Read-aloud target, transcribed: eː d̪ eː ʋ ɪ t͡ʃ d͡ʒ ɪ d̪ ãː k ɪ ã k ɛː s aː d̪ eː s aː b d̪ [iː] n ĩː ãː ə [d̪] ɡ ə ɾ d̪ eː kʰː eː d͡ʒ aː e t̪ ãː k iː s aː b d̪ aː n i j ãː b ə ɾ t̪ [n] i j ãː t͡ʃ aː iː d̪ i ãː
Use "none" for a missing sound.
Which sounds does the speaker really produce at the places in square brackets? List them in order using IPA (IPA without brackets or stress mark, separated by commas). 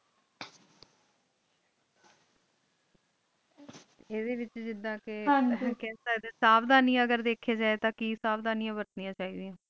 aː, none, n